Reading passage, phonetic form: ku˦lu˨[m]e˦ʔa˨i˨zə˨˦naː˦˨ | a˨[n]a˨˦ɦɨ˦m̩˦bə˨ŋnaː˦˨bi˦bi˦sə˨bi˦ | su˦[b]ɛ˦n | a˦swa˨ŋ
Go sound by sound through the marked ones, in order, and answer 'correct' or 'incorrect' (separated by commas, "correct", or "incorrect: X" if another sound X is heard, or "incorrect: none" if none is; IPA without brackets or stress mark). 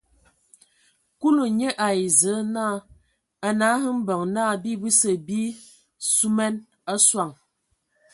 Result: incorrect: ɲ, correct, incorrect: m